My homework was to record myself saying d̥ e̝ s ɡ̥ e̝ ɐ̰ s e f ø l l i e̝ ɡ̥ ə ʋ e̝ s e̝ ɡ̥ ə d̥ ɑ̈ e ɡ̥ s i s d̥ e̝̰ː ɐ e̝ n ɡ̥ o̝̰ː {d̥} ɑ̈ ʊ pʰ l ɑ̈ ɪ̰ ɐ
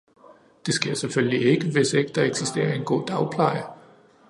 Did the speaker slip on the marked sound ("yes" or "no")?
no